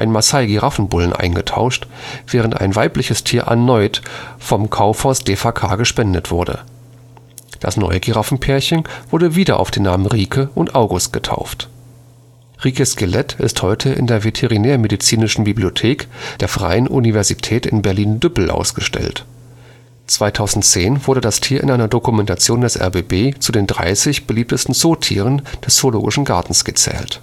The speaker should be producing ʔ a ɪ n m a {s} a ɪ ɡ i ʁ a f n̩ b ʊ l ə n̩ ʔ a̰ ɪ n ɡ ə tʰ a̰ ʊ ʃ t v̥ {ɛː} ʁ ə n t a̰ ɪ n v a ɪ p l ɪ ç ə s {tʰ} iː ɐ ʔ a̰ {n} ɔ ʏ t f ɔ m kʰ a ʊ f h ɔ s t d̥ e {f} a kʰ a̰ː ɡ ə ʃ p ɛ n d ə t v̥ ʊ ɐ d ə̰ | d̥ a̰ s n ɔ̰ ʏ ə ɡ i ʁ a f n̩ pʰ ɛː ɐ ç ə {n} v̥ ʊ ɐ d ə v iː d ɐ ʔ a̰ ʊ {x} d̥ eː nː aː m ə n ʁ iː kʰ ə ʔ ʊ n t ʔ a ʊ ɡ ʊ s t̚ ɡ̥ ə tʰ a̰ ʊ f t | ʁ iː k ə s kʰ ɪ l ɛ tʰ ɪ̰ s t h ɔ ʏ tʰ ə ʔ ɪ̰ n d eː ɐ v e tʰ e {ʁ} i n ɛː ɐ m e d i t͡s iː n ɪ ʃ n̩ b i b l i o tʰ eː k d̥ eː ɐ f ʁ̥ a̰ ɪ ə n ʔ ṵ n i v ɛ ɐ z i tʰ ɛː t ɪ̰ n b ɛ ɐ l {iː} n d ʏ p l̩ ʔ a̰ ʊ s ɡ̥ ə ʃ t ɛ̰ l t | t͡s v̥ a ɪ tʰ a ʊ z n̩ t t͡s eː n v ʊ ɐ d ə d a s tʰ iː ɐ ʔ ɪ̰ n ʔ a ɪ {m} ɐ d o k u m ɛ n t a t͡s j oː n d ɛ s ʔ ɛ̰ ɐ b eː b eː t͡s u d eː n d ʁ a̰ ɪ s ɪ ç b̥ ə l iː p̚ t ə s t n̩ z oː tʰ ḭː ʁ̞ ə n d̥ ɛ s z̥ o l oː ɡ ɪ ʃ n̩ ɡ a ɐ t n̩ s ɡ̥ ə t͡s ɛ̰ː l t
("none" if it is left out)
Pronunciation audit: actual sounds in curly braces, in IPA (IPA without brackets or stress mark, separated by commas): s, ɛː, tʰ, n, f, n, f, ʁ, iː, n